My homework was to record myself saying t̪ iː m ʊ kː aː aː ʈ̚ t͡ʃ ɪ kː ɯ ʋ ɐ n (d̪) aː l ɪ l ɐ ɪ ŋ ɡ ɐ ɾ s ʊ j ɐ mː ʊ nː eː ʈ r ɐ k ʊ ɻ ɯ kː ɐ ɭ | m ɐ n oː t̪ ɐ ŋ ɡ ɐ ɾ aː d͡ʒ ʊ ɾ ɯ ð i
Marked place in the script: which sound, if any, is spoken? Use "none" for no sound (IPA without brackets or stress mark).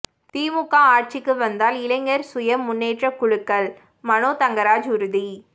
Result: d̪